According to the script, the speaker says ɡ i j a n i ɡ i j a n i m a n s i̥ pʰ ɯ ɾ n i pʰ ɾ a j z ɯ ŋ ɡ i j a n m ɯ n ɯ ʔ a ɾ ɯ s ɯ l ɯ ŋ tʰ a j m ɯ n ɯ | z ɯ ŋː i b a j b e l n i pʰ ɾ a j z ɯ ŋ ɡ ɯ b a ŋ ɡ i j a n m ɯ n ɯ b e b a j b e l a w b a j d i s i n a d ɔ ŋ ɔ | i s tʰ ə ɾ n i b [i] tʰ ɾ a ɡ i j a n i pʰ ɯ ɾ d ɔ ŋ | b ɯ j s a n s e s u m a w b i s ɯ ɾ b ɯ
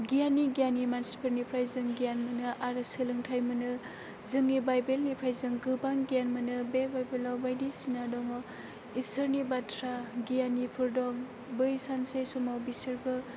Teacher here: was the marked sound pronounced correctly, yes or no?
no